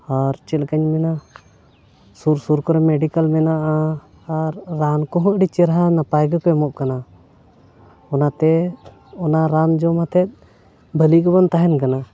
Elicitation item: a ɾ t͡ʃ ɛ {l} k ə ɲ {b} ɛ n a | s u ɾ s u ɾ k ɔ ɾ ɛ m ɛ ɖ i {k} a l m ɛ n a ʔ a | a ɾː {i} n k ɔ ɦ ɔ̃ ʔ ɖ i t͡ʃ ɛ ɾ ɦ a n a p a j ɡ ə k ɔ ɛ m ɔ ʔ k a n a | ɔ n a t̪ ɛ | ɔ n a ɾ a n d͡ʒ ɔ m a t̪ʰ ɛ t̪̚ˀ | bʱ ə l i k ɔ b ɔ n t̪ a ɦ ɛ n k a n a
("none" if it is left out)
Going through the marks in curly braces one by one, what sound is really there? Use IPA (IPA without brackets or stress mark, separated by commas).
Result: l, m, k, a